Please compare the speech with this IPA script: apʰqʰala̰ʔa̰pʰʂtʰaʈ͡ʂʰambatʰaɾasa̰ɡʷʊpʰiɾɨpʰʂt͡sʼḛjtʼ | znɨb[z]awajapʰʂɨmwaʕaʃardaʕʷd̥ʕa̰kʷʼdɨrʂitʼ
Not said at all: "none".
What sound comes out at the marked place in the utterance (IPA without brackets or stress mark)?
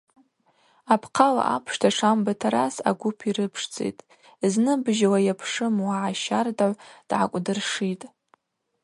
ʒ